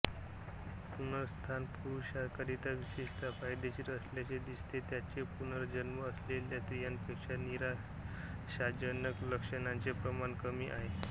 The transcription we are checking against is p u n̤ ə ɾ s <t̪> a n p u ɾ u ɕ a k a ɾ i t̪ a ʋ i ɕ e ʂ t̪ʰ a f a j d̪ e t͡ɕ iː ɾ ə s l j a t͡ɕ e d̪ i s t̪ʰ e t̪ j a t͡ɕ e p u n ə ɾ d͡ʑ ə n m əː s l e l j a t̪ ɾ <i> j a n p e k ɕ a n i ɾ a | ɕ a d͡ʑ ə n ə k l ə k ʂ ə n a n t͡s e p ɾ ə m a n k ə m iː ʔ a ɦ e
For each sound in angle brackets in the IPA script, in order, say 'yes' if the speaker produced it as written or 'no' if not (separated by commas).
no, yes